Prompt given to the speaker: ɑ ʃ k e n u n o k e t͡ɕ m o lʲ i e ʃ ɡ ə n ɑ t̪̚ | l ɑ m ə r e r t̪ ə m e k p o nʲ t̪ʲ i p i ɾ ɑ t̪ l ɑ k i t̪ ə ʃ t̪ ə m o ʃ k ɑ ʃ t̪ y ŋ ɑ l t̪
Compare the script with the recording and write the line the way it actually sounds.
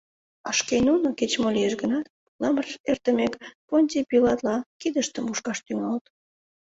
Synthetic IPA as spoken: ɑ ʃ k e n u n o k e t͡ɕ m o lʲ i e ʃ ɡ ə n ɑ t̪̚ | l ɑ m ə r e r t̪ ə m e k p o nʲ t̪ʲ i p i l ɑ t̪ l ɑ k i d̪ ə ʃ t̪ ə m u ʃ k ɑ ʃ t̪ y ŋ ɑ l t̪

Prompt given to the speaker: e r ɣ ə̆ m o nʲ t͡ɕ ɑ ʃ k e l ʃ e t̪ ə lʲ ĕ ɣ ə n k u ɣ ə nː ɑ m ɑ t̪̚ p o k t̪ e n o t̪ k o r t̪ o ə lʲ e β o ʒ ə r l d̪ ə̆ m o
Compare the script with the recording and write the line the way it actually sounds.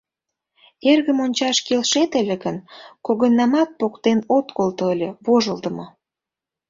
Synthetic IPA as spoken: e r ɣ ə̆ m o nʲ t͡ɕ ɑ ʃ k e l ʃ e t̪ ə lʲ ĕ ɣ ə n k o ɣ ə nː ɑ m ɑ t̪̚ p o k t̪ e n o t̪ k o l t̪ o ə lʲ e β o ʒ ə l d̪ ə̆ m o

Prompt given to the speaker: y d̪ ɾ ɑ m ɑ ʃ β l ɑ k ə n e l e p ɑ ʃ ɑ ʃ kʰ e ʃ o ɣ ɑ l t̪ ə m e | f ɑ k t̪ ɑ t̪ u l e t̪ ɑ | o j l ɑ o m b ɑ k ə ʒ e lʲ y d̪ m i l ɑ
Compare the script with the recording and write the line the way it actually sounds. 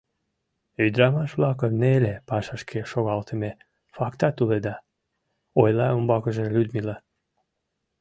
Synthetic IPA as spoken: y d̪ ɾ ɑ m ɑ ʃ β l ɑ k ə n e l e p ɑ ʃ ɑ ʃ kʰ e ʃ o ɣ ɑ l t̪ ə m e | f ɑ k t̪ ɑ t̪ u l e d̪ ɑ | o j l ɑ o m b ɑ k ə ʒ e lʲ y d̪ m i l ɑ

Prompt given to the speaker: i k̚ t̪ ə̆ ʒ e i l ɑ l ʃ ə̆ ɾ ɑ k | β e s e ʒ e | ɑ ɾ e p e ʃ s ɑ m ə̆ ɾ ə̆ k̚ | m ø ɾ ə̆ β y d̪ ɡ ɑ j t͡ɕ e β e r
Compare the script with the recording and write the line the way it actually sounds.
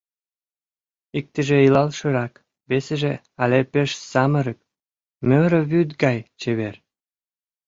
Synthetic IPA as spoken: i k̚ t̪ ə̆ ʒ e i l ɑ l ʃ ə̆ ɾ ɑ k | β e s e ʒ e | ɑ l e p e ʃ s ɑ m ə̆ ɾ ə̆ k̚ | m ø ɾ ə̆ β y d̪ ɡ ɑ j t͡ɕ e β e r

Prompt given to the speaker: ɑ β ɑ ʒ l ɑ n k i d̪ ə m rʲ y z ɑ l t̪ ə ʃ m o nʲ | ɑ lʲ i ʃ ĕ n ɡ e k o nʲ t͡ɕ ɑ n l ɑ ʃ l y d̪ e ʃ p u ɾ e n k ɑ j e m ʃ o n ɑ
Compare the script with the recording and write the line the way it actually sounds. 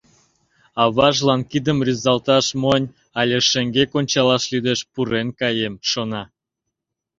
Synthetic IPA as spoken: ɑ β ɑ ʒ l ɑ n k i d̪ ə m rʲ y z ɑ l t̪ ɑ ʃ m o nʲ | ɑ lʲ e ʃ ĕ ŋ ɡ e k o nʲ t͡ɕ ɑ l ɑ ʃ l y d̪ e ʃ p u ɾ e n k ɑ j e m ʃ o n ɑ

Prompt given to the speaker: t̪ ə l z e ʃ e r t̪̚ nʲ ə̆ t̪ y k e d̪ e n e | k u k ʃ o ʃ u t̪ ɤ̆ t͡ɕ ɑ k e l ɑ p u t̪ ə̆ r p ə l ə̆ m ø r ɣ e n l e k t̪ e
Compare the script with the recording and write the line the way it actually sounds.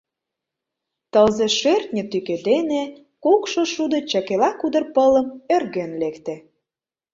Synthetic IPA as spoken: t̪ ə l z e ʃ e r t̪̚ nʲ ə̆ t̪ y k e d̪ e n e | k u k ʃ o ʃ u d̪ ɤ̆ t͡ɕ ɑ k e l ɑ k u d̪ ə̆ r p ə l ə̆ m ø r ɣ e n l e k t̪ e

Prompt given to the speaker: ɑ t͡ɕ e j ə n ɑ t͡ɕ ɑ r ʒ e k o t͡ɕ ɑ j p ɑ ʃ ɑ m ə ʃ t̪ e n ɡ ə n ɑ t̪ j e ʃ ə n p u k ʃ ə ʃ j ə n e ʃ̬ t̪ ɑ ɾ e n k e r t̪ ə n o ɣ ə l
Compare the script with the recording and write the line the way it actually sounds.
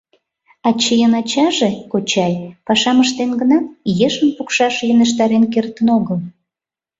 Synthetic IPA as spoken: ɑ t͡ɕ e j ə n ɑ t͡ɕ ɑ ʒ e k o t͡ɕ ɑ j p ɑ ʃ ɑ m ə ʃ t̪ e n ɡ ə n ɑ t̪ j e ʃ ə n p u k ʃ ɑ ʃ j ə n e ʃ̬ t̪ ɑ ɾ e n k e r t̪ ə n o ɣ ə l

